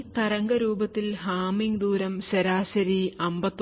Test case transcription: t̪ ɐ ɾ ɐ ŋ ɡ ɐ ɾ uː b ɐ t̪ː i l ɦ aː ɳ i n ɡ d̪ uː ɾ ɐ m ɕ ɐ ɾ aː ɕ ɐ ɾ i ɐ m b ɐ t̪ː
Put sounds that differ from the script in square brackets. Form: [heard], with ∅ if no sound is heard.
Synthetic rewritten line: t̪ ɐ ɾ ɐ ŋ ɡ ɐ ɾ uː b ɐ t̪ː i l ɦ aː [m] i [ŋ] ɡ d̪ uː ɾ ɐ m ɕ ɐ ɾ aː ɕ ɐ ɾ i ɐ m b ɐ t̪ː

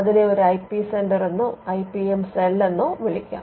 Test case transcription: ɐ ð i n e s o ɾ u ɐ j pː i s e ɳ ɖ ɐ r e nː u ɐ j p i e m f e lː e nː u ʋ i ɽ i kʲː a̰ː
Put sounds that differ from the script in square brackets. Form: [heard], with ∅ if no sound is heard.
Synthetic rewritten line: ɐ ð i n e [∅] o ɾ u ɐ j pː i s e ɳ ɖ ɐ r e nː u ɐ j p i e m [s] e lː e nː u ʋ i [ɭ] i kʲː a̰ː

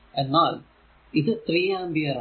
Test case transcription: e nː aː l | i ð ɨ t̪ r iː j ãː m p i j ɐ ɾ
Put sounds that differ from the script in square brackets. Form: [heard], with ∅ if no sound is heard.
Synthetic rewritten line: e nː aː l | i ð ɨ t̪ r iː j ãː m [b] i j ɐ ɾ

